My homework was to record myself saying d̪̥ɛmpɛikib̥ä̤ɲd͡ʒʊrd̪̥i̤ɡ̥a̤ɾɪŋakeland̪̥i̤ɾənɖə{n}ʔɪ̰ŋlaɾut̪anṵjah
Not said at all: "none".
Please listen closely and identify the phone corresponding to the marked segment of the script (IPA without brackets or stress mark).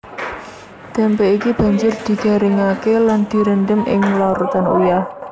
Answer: m